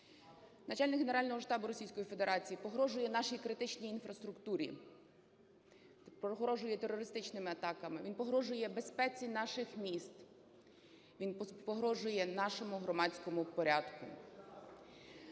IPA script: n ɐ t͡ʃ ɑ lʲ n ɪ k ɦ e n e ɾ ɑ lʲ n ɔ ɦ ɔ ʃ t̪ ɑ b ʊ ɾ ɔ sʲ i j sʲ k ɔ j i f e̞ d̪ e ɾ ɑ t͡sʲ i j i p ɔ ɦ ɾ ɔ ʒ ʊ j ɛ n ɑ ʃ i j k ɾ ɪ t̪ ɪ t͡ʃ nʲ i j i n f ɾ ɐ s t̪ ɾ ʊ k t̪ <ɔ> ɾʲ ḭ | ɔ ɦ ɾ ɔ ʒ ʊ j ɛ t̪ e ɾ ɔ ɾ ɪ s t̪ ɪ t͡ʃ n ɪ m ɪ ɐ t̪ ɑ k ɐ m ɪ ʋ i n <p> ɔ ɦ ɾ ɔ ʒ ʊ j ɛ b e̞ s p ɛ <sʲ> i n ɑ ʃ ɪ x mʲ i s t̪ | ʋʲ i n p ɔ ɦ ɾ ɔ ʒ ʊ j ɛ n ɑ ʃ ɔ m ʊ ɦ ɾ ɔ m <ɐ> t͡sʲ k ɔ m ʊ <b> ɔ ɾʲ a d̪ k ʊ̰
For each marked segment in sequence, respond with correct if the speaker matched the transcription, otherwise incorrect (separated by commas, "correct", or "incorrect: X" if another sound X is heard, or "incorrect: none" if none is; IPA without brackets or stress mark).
incorrect: u, correct, incorrect: t͡sʲ, incorrect: ɑ, incorrect: p